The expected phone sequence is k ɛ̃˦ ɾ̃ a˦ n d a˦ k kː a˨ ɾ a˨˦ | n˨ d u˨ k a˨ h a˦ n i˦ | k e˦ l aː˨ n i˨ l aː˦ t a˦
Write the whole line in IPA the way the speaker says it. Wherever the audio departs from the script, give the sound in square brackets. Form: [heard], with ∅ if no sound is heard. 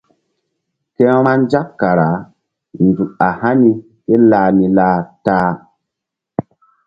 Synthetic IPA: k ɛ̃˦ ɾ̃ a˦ n [d͡ʒ] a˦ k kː a˨ ɾ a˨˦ | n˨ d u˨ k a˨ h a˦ n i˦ | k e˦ l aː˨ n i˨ l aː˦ t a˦